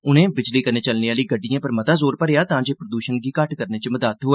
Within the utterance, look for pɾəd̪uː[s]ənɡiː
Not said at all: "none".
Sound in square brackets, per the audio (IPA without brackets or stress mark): ʃ